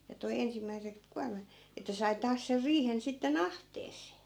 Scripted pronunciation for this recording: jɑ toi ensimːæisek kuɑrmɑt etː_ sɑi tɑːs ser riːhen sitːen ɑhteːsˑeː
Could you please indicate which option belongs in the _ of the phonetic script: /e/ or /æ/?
æ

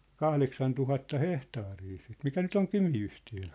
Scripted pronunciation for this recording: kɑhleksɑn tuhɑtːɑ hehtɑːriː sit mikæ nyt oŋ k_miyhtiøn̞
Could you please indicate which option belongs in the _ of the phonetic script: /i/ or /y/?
y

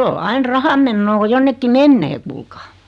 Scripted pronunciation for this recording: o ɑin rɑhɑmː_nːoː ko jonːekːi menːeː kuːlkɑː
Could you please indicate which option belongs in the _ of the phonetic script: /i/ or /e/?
e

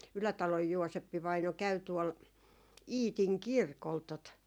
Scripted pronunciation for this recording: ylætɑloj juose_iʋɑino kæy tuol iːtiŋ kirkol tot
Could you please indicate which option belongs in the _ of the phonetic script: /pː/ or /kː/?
pː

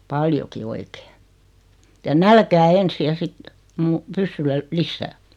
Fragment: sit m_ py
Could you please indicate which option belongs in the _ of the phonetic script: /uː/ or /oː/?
uː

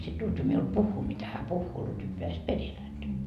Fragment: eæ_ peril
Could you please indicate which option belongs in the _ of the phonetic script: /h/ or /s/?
s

